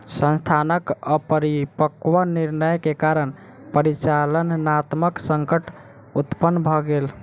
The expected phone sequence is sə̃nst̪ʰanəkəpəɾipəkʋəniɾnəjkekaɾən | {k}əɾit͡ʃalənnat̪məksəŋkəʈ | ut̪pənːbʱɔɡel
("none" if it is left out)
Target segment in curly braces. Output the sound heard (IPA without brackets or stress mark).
p